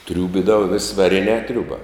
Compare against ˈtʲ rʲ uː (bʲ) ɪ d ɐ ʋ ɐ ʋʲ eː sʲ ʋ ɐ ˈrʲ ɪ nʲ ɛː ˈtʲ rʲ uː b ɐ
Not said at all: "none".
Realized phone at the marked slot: bʲ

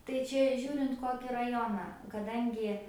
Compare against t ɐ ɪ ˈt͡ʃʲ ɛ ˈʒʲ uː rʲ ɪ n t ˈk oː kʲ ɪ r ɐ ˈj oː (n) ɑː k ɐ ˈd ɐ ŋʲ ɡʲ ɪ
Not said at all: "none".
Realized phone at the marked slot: n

